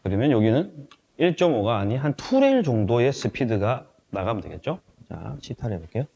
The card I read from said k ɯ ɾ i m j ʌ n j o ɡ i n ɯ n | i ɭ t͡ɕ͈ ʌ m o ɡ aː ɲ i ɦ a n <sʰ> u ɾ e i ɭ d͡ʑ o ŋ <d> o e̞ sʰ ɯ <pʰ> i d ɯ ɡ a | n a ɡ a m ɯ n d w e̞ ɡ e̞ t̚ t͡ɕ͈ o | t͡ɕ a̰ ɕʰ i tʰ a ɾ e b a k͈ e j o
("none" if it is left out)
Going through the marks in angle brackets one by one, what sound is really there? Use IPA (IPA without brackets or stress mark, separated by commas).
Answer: tʰ, d, pʰ